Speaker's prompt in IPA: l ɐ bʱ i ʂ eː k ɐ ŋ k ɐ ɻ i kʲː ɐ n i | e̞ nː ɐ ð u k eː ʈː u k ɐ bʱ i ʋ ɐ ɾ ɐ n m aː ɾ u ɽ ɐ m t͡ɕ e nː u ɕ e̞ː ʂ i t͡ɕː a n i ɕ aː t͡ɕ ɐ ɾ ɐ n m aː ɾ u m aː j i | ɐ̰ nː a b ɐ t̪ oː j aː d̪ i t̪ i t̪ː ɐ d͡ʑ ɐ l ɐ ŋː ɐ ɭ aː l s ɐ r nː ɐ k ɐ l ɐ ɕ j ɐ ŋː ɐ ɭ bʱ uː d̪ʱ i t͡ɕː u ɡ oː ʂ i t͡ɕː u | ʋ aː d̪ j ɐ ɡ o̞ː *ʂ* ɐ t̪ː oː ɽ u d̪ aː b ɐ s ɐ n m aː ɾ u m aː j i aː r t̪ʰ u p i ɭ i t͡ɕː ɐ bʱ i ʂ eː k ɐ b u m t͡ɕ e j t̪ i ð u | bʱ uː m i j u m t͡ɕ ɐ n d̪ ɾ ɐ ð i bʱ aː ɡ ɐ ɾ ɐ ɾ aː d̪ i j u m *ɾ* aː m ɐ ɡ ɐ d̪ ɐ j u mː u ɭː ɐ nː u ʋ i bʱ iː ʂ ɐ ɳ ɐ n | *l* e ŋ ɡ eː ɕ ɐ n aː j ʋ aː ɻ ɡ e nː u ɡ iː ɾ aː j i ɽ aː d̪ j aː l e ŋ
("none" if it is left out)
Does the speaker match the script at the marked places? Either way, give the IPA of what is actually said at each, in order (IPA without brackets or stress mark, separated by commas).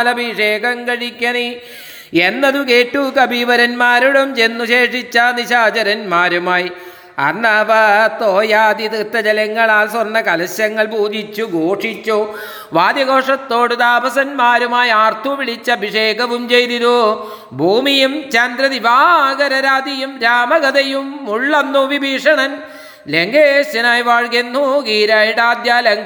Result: ʂ, ɾ, l